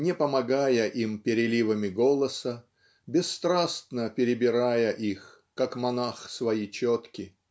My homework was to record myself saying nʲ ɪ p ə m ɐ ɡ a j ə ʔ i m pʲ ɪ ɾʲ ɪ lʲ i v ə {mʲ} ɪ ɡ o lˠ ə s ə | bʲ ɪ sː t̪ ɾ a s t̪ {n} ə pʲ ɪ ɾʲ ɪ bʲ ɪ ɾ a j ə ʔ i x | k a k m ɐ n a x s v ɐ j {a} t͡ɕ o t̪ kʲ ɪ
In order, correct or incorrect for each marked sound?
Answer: correct, correct, incorrect

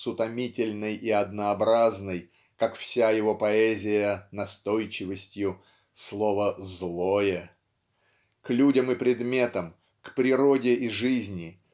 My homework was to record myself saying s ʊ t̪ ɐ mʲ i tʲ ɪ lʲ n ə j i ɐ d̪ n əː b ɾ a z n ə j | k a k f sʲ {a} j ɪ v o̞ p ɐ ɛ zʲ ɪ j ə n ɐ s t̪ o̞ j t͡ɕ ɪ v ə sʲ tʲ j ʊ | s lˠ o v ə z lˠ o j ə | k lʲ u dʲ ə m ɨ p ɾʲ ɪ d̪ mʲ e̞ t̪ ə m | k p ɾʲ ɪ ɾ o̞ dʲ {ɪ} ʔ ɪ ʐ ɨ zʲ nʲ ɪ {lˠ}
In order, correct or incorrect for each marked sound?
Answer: correct, correct, incorrect

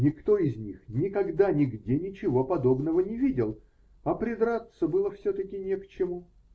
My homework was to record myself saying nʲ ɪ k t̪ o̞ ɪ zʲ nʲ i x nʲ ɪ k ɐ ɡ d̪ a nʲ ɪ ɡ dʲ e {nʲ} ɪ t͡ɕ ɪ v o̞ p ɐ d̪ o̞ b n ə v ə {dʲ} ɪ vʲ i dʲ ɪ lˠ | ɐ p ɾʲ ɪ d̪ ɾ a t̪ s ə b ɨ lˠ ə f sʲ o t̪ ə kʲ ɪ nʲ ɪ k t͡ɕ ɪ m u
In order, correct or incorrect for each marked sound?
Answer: correct, incorrect

